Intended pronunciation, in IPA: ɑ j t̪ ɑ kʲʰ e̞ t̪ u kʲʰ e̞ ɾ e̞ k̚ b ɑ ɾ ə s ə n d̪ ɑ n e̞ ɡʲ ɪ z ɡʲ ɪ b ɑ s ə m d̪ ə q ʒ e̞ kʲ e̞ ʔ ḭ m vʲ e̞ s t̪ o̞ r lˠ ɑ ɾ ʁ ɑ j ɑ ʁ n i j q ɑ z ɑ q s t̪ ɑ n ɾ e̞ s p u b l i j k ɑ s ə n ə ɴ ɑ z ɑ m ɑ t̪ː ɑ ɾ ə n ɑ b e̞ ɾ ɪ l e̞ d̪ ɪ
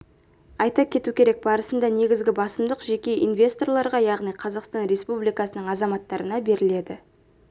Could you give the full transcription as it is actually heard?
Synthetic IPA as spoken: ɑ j t̪ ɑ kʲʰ e̞ t̪ u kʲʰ e̞ ɾ e̞ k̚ b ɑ ɾ ə s ə n d̪ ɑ n e̞ ɡʲ ɪ z ɡʲ ɪ b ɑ s ə m d̪ ə q ʒ e̞ kʲ e̞ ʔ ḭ n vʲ e̞ s t̪ o̞ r lˠ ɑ ɾ ʁ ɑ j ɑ ʁ n i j qʰ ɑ z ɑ q s t̪ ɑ n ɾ e̞ s p u b l i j k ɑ s ə n ə ɴ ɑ z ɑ m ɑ t̪ː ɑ ɾ ə n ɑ b e̞ ɾ ɪ l e̞ d̪ ɪ

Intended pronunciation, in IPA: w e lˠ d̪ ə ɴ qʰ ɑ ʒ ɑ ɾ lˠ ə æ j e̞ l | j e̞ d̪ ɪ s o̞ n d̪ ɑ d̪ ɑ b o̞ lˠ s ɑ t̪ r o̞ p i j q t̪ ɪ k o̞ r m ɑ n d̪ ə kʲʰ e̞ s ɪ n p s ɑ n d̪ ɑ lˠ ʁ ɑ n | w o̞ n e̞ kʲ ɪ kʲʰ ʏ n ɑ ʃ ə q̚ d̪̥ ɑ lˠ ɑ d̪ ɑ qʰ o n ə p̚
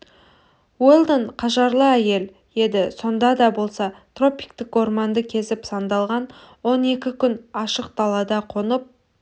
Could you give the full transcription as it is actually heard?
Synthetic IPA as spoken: w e lˠ d̪ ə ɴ qʰ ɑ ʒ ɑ ɾ lˠ ə æ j e̞ l | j e̞ d̪ ɪ s o̞ n d̪ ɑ d̪ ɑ b o̞ lˠ s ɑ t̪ r o̞ p i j k t̪ ɪ k o̞ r m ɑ n d̪ ə kʲʰ e̞ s ɪ p s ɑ n d̪ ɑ lˠ ʁ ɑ n | w o̞ n e̞ kʲ ɪ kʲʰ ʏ n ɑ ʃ ə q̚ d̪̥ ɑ lˠ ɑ d̪ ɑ qʰ o n ə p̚

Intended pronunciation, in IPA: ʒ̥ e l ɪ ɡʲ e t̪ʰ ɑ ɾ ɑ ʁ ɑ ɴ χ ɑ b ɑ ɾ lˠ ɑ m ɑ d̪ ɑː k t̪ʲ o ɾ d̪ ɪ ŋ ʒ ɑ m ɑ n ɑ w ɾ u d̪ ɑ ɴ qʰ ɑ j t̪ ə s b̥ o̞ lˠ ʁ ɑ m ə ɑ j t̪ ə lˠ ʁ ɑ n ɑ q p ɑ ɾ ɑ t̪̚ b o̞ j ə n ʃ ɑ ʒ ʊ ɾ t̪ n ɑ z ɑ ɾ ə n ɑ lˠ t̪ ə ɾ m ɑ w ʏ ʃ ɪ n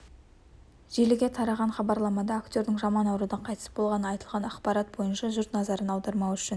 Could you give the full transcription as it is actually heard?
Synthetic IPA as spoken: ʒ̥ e l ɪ ɡʲ e t̪ʰ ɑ ɾ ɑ ʁ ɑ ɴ χ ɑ b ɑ ɾ lˠ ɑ m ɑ d̪ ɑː k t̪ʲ o ɾ d̪ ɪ ŋ ʒ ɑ m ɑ n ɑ w ɾ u d̪ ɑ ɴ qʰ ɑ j t̪ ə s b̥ o̞ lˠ ʁ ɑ n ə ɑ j t̪ ə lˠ ʁ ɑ n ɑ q p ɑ ɾ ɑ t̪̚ b o̞ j ə n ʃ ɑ ʒ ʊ ɾ t̪ n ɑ z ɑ ɾ ə n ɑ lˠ d̪ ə ɾ m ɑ w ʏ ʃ ɪ n

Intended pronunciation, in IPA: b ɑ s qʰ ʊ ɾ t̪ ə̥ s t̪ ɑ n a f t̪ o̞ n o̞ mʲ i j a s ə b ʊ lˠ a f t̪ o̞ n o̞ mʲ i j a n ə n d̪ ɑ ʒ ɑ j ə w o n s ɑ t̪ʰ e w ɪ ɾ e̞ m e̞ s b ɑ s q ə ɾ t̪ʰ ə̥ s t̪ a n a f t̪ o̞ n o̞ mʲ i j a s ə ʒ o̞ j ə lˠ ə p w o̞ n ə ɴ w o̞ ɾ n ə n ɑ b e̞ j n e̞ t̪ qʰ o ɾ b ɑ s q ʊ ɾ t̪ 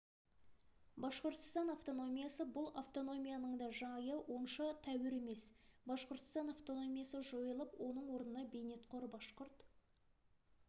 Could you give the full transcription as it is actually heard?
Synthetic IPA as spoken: b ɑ s q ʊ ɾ t̪ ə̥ s t̪ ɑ n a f t̪ o̞ n o̞ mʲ i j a s ə b ʊ lˠ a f t̪ o̞ n o̞ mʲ i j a n ə ɴ d̪ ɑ ʒ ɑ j ə w o n ʃ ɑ t̪ʰ æ w ɪ ɾ e̞ m e̞ s b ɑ s q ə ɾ t̪ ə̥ s t̪ ɑ n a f t̪ o̞ n o̞ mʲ i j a s ə ʒ o̞ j ə lˠ ə p w o̞ n ə ɴ w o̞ ɾ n ə n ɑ b e̞ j n e̞ t̪ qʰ o ɾ b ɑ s q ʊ ɾ t̪

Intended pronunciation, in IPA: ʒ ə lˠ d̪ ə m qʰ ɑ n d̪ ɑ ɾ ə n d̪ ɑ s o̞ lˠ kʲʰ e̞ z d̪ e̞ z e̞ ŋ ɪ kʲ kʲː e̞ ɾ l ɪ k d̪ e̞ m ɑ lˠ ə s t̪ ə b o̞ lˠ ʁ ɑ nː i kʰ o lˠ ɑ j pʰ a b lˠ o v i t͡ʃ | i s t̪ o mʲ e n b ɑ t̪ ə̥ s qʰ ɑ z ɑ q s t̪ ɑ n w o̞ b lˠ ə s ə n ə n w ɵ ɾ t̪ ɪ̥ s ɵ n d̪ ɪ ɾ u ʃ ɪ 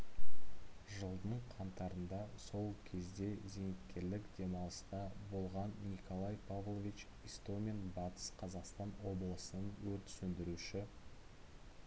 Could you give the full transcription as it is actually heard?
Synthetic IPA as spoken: ʒ ə lˠ d̪ ə ɴ qʰ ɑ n t̪ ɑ ɾ ə n d̪ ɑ s o̞ lˠ kʲʰ e̞ z d̪ e̞ z e̞ ŋ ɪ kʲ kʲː e̞ ɾ l ɪ k d̪ e̞ m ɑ lˠ ə s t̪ ɑ b o̞ lˠ ʁ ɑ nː i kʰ o lˠ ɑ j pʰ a v lˠ o v i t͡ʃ | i s t̪ o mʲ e n b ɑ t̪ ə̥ s qʰ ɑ z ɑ q s t̪ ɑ n w o̞ b lˠ ə s ə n ə n w ɵ ɾ t̪ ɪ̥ s ɵ n d̪ ɪ ɾ u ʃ ɪ

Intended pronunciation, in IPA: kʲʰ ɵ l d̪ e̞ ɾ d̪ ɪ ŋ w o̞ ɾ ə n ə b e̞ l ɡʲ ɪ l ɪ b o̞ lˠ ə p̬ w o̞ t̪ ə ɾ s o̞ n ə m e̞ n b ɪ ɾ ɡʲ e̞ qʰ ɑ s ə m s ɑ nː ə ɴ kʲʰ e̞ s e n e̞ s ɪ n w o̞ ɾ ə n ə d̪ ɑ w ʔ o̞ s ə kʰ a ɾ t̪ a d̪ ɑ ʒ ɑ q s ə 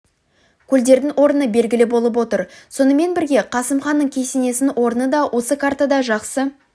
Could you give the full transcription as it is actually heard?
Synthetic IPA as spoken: kʲʰ ɵ l d̪ e̞ ɾ d̪ ɪ ŋ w o̞ ɾ ə n ə b e̞ l ɡʲ ɪ l ɪ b o̞ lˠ ə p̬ w o̞ t̪ ə ɾ s o̞ n ə m e̞ n b ɪ ɾ ɡʲ e̞ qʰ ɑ s ə m χ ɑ nː ə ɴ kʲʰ e̞ s e n e̞ s ɪ n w o̞ ɾ ə n ə d̪ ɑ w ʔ o̞ s ə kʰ a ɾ t̪ a d̪ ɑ ʒ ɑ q s ə

